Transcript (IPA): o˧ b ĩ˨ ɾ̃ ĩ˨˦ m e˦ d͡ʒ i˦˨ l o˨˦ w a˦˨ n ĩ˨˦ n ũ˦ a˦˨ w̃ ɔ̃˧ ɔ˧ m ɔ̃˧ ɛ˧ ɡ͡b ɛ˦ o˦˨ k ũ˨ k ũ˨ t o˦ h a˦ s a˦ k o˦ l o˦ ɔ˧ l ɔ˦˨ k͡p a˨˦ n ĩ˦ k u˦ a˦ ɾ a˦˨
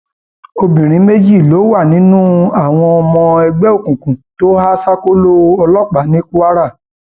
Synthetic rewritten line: o˧ b ĩ˨ ɾ̃ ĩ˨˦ m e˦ d͡ʒ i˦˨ l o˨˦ w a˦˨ n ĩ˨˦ n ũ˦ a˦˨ w̃ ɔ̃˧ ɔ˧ m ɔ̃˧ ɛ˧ ɡ͡b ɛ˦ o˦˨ k ũ˨ k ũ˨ t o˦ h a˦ s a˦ k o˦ l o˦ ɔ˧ l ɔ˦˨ k͡p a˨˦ n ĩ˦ k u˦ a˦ ɾ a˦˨